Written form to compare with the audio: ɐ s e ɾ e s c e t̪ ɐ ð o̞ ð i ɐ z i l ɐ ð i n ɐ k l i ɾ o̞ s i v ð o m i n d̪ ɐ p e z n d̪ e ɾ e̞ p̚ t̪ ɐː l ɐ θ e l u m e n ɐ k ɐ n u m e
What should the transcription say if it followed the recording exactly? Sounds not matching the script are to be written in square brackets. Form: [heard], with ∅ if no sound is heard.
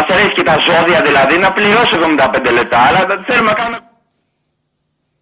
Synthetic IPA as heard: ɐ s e ɾ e s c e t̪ ɐ [z] o̞ ð i ɐ [ð] i l ɐ ð i n ɐ [p] l i ɾ o̞ s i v ð o m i n d̪ ɐ p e [∅] n d̪ e [l] e̞ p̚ t̪ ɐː l ɐ θ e l u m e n ɐ k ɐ n u m e